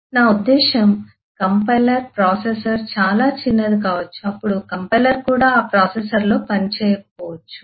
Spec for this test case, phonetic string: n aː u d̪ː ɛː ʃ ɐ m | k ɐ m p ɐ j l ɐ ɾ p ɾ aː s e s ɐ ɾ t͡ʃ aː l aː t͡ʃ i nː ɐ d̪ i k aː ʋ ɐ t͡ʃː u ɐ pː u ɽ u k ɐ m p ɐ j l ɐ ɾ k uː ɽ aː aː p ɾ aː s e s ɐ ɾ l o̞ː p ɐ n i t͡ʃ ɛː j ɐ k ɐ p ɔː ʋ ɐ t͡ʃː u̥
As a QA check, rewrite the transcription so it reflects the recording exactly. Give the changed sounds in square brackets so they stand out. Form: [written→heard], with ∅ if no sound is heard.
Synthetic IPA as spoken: n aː u d̪ː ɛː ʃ ɐ m | k ɐ m p ɐ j l ɐ ɾ p ɾ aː s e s ɐ ɾ t͡ʃ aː l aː t͡ʃ i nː ɐ d̪ i k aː ʋ ɐ t͡ʃː u ɐ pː u ɽ u k ɐ m p ɐ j l ɐ ɾ k uː ɽ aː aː p ɾ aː s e s ɐ ɾ l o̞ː p ɐ n i t͡ʃ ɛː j ɐ k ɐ p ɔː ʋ ɐ t͡ʃː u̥